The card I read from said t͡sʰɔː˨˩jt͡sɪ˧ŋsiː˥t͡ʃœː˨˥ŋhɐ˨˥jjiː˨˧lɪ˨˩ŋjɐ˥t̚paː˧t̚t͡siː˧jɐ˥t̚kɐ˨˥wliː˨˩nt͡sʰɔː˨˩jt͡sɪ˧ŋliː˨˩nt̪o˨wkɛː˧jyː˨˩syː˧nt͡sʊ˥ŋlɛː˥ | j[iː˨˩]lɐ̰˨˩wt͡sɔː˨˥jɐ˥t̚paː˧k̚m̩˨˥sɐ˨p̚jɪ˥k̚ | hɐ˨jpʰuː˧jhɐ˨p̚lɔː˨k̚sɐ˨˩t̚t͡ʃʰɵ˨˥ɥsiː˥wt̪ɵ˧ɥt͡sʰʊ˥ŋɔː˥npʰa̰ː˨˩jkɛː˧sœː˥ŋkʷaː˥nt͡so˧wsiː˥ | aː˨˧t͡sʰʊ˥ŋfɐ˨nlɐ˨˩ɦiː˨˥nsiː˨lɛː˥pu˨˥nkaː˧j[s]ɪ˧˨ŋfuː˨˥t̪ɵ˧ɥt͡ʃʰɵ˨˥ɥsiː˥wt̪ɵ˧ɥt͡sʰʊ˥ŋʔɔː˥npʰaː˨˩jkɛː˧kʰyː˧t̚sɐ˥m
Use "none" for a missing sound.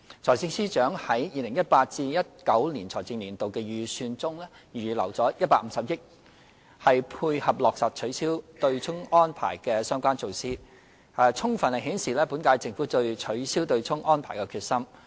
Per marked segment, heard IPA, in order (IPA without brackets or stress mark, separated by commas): yː˨˩, t͡s